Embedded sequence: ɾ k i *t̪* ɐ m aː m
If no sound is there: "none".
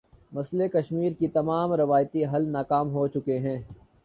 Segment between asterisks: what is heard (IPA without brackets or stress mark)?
t̪